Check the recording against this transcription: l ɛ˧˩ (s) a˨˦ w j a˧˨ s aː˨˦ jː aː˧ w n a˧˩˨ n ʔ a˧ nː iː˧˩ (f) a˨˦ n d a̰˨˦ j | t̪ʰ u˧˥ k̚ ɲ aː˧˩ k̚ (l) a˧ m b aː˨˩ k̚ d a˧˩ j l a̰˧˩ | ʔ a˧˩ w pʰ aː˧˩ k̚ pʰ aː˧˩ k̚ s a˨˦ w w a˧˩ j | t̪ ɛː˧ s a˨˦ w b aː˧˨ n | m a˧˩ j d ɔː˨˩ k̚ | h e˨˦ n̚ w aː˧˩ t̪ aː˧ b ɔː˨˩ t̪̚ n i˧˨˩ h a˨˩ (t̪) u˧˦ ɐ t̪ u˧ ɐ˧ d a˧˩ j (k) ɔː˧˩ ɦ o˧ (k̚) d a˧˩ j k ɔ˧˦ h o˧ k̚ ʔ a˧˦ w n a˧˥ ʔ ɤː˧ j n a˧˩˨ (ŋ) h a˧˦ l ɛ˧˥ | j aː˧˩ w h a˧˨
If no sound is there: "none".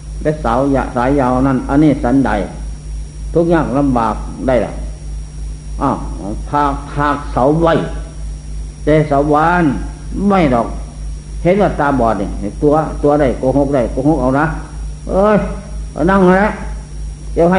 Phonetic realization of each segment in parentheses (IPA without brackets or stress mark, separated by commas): s, s, l, t̪, k, k̚, ŋ